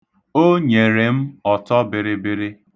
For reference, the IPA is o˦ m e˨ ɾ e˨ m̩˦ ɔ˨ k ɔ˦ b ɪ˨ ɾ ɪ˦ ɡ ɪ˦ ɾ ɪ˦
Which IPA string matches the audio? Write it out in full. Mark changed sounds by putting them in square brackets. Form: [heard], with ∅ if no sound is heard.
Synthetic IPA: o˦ [ɲ] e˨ ɾ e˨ m̩˦ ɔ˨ [t] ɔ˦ b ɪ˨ ɾ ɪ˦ [b] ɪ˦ ɾ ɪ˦